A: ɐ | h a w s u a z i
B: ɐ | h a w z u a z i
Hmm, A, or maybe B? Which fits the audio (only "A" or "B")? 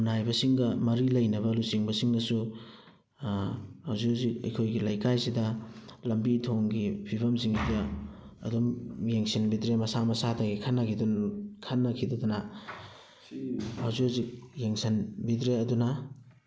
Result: B